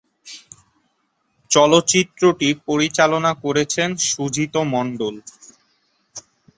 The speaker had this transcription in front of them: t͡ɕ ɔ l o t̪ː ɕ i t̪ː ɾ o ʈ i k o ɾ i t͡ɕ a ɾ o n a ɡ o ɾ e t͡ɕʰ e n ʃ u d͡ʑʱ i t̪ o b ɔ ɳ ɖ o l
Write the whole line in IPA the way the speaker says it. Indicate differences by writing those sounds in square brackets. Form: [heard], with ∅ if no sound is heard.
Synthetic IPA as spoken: t͡ɕ ɔ l o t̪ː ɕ i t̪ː ɾ o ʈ i [p] o ɾ i t͡ɕ a [l] o n a [k] o ɾ e t͡ɕʰ e n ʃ u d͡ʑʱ i t̪ o [m] ɔ ɳ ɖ o l